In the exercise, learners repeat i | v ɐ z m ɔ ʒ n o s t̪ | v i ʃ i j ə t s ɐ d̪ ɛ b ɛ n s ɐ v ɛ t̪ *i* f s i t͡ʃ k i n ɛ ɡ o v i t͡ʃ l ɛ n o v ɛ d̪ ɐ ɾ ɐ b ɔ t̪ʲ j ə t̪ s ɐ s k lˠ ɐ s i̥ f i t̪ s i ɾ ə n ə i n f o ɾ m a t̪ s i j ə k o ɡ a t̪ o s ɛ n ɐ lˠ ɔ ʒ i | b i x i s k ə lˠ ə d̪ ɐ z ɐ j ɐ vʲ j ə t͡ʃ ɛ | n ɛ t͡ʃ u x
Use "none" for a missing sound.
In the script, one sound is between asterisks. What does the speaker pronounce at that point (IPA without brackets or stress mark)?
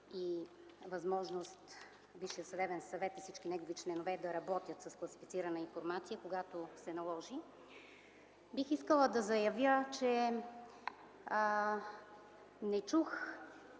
i